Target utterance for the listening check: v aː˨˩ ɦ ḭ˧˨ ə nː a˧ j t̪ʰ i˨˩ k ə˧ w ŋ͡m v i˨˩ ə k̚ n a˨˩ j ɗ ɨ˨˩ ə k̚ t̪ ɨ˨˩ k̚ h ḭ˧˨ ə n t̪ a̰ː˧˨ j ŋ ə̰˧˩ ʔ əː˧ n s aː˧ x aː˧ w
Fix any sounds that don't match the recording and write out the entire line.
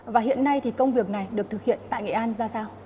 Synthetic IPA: v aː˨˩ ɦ ḭ˧˨ ə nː a˧ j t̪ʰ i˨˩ k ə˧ w ŋ͡m v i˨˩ ə k̚ n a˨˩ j ɗ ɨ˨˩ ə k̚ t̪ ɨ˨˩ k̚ h ḭ˧˨ ə n t̪ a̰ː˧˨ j ŋ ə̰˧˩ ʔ aː˧ n z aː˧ s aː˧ w